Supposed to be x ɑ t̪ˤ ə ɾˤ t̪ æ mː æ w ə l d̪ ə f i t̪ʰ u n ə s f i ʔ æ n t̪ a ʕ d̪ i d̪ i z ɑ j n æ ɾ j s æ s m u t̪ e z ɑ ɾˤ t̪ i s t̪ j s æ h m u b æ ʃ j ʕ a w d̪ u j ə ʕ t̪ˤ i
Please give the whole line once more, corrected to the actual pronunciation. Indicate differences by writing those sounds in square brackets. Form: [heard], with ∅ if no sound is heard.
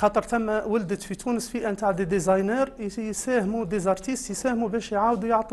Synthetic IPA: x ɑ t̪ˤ ə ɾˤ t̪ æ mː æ w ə l d̪ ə f i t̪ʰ u n ə s f i ʔ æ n t̪ a ʕ d̪ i d̪ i z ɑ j n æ ɾ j s æ [h] m u [d̪] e z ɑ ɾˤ t̪ i s t̪ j s æ h m u b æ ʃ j ʕ a w d̪ u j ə ʕ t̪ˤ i